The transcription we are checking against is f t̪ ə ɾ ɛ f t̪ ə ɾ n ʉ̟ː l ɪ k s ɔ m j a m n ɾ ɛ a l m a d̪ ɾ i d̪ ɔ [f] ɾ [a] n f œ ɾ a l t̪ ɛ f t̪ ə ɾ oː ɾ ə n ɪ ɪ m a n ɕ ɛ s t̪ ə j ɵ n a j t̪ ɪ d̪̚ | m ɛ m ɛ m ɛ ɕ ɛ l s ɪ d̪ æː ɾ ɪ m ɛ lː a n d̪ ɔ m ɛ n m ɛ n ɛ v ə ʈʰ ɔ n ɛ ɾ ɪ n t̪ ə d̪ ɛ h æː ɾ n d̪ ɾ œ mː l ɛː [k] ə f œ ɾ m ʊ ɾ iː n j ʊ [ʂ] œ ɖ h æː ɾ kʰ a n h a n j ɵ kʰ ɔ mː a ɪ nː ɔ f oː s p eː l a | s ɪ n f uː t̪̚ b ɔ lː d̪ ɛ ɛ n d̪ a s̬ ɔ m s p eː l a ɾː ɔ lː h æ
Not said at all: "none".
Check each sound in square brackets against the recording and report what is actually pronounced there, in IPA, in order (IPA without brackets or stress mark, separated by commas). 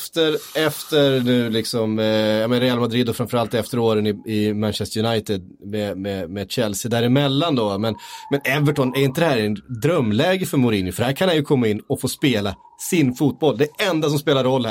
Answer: f, a, ɡ, f